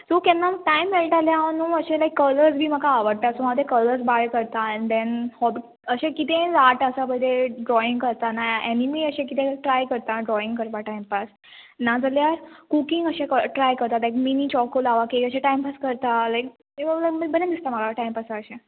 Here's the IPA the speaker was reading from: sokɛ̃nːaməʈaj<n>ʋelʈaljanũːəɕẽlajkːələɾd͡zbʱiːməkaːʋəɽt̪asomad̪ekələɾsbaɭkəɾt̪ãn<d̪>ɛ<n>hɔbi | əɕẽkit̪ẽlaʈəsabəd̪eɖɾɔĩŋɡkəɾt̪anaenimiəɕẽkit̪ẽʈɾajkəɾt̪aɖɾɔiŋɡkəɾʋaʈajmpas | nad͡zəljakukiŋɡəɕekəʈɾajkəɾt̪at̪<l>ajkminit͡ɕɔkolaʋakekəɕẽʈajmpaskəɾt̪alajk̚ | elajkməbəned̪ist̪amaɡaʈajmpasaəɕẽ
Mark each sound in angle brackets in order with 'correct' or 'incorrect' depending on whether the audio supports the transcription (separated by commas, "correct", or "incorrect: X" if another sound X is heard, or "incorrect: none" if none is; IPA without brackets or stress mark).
incorrect: m, correct, correct, correct